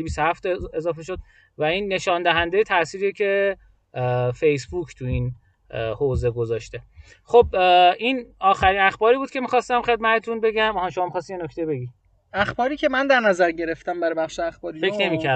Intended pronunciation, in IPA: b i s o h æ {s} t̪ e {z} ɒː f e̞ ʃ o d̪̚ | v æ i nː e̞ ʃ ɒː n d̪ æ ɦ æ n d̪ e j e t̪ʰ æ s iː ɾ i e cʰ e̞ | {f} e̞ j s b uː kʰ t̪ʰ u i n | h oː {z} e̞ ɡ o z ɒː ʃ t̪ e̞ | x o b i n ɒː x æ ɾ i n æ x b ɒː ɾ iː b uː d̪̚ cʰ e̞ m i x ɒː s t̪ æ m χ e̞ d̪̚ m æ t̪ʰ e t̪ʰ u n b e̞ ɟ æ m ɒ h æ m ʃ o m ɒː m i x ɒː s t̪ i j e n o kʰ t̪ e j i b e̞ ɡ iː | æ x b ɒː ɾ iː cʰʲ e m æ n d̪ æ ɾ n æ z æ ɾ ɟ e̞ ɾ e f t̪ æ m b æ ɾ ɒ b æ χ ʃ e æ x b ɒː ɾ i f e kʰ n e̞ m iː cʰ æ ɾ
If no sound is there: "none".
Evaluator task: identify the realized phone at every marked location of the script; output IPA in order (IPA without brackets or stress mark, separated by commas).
f, z, f, z